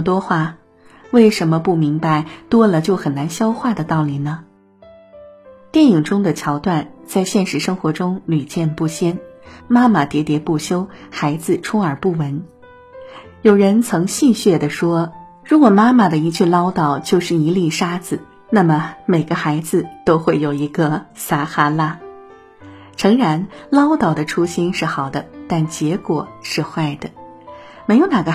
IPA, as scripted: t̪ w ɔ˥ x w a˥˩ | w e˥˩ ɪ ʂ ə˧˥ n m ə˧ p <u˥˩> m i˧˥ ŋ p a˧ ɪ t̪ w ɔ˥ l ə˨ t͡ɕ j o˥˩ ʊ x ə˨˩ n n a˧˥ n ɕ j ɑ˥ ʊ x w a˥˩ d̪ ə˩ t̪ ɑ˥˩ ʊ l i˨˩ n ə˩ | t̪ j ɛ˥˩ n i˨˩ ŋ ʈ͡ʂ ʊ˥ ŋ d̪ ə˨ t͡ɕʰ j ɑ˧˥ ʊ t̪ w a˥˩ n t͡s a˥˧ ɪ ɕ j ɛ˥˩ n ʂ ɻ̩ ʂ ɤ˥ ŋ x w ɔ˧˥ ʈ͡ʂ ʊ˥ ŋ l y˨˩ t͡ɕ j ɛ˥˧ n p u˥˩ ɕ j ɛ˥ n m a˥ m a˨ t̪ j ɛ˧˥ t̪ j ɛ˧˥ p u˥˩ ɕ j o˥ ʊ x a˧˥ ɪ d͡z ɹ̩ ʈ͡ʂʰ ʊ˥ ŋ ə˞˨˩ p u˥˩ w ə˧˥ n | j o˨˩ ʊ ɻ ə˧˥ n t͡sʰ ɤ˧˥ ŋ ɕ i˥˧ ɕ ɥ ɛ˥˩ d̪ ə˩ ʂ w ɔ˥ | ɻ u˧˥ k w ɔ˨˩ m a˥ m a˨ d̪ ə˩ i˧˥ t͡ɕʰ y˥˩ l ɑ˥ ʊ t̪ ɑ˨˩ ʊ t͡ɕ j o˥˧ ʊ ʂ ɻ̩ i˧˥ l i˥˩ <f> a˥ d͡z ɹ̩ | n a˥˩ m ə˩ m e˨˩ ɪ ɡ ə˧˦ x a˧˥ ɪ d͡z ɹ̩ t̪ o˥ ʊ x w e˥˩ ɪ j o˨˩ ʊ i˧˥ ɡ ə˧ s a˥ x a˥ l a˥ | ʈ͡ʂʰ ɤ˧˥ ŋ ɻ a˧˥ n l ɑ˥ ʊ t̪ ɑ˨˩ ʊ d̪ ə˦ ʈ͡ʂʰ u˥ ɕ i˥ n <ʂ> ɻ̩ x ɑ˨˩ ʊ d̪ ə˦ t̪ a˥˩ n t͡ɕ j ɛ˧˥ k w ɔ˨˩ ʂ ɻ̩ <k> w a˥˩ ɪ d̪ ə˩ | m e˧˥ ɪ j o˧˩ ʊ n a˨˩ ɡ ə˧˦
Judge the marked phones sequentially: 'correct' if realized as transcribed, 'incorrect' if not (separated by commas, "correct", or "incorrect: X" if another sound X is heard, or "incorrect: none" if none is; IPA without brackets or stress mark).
correct, incorrect: ʂ, correct, incorrect: x